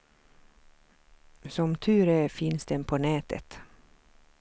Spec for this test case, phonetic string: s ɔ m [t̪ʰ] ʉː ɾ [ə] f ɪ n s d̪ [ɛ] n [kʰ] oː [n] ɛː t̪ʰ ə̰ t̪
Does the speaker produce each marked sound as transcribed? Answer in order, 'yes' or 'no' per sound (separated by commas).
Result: yes, yes, yes, no, yes